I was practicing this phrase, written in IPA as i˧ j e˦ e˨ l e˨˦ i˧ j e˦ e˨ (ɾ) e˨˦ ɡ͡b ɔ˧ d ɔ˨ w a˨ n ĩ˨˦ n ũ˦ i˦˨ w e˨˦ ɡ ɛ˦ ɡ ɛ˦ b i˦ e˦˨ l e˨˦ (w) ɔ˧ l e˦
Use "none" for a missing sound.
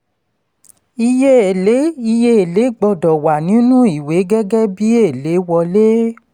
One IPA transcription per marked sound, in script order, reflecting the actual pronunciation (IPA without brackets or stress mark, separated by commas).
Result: l, w